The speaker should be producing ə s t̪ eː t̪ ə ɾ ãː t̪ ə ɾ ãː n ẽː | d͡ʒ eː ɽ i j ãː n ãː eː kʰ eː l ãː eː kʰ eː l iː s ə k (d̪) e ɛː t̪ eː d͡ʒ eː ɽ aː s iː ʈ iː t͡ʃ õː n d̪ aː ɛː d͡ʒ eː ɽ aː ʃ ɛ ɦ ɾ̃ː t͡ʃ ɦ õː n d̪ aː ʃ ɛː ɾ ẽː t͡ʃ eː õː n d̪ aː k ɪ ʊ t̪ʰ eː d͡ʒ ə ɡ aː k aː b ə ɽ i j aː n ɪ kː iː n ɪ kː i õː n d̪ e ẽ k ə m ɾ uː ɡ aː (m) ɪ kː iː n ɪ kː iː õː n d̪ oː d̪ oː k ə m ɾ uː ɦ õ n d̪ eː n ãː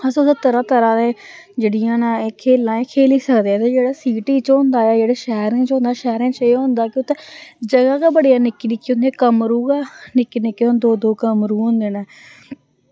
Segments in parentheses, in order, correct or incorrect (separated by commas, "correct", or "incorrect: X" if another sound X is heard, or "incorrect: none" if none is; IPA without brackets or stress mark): correct, incorrect: n